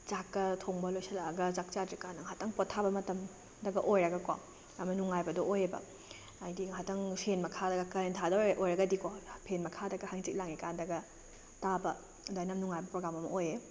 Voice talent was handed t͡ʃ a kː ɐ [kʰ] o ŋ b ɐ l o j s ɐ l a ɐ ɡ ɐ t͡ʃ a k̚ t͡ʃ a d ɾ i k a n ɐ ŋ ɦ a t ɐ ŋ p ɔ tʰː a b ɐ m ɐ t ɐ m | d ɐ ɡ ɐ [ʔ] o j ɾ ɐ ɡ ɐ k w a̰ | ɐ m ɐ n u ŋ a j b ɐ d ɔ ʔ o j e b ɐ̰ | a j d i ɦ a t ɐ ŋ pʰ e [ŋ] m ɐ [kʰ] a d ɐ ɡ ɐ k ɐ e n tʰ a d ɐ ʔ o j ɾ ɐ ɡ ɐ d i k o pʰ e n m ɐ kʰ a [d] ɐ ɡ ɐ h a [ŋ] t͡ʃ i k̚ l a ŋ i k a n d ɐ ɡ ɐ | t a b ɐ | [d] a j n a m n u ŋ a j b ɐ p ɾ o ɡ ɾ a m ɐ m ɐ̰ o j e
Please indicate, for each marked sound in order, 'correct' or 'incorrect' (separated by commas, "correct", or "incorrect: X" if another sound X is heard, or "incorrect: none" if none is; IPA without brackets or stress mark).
incorrect: tʰ, correct, incorrect: n, correct, correct, correct, correct